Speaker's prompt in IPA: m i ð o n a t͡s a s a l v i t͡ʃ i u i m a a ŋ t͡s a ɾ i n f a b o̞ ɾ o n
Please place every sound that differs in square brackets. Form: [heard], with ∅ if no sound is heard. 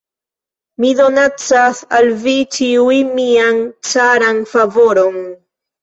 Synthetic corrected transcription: m i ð o n a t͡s a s a l v i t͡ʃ i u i m [i] a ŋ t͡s a ɾ [a] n f a [v] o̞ ɾ o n